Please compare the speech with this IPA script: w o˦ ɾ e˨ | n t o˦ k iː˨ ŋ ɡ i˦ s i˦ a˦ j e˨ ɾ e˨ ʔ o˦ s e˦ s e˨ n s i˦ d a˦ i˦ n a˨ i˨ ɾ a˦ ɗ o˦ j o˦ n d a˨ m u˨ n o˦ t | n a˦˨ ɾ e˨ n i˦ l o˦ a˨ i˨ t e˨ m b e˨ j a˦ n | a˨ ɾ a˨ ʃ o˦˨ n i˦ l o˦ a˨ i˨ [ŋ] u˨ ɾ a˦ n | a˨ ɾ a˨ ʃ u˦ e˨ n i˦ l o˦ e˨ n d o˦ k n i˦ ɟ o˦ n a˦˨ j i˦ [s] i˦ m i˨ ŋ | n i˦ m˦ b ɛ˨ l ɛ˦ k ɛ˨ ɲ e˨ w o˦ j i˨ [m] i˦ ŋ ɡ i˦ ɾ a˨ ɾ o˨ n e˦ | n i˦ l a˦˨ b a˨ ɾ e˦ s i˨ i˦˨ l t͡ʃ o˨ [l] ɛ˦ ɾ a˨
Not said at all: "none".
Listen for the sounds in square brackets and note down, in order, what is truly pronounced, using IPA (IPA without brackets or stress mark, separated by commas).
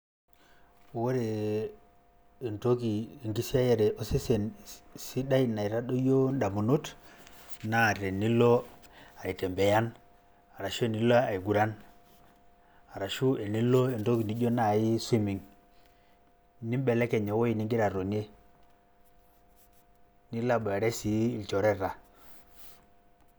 ɡ, s, n, ɾ